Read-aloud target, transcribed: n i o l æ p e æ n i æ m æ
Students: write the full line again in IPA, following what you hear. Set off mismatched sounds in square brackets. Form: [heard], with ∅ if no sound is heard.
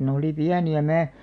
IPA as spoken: n [e] o l [i] p [i] æ n i æ m [æː]